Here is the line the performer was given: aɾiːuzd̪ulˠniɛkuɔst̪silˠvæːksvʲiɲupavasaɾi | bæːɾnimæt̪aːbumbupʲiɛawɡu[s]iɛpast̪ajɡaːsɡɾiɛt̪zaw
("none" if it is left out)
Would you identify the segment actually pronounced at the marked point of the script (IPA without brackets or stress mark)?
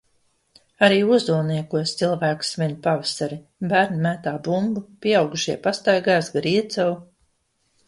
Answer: ʃ